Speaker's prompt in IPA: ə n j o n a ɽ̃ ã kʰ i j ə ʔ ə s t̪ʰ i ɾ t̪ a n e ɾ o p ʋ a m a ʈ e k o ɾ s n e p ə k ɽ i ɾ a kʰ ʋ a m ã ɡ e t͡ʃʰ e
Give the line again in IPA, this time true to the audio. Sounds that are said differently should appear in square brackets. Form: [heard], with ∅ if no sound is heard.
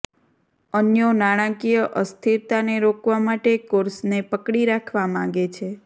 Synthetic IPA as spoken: ə n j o n a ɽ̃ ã [k] i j ə ʔ ə s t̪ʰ i ɾ t̪ a n e ɾ o [k] ʋ a m a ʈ e k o ɾ s n e p ə k ɽ i ɾ a kʰ ʋ a m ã ɡ e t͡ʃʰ e